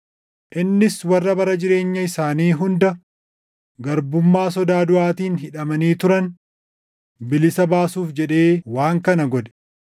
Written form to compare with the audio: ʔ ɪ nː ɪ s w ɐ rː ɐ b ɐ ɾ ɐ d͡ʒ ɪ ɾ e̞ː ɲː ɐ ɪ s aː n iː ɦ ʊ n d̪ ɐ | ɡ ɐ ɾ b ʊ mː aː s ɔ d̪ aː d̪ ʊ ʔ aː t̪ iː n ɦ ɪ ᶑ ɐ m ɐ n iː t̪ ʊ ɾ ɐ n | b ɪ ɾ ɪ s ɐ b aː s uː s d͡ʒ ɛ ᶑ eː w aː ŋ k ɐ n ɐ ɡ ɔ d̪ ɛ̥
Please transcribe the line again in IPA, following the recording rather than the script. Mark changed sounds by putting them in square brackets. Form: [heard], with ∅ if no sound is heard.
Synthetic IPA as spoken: ʔ ɪ nː ɪ s w ɐ rː ɐ b ɐ ɾ ɐ d͡ʒ ɪ ɾ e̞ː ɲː ɐ ɪ s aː n iː ɦ ʊ n d̪ ɐ | ɡ ɐ ɾ b ʊ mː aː s ɔ d̪ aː d̪ ʊ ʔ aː t̪ iː n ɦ ɪ ᶑ ɐ m ɐ n iː t̪ ʊ ɾ ɐ n | b ɪ [l] ɪ s ɐ b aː s uː [f] d͡ʒ ɛ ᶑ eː w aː ŋ k ɐ n ɐ ɡ ɔ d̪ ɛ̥